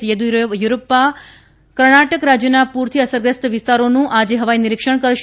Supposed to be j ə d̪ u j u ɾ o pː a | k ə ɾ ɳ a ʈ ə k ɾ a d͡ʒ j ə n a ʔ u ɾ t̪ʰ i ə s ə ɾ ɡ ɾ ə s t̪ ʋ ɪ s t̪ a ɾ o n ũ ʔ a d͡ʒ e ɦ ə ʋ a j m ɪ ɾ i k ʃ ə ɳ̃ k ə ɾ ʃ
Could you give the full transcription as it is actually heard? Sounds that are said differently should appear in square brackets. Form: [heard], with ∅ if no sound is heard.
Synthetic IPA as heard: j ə d̪ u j u ɾ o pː a | k ə ɾ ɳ a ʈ ə k ɾ a d͡ʒ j ə n a [p] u ɾ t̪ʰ i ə s ə ɾ ɡ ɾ ə s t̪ ʋ ɪ s t̪ a ɾ o n ũ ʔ a d͡ʒ e ɦ ə ʋ a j [n] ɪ ɾ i k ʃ ə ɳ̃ k ə ɾ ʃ